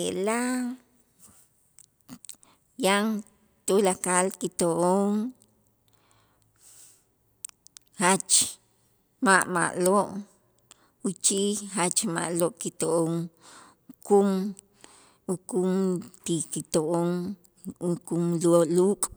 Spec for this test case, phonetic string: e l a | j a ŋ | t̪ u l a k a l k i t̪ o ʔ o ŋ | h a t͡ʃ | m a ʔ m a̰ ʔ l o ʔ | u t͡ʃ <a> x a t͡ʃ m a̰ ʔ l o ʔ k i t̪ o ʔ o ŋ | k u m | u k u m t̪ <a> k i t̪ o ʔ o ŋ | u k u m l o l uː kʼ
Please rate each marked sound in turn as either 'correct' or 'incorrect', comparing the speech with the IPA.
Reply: incorrect: i, incorrect: i

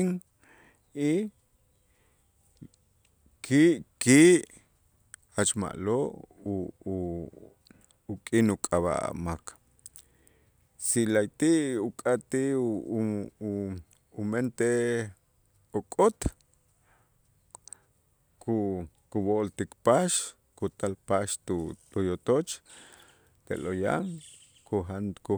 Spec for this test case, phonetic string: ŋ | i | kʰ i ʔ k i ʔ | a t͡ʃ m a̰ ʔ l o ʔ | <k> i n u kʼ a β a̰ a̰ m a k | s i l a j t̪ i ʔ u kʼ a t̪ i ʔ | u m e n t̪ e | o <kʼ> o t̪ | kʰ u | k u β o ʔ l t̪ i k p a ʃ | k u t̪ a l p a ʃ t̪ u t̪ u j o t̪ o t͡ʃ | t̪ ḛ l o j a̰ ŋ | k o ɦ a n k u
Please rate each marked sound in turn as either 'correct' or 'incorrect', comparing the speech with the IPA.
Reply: incorrect: kʼ, correct

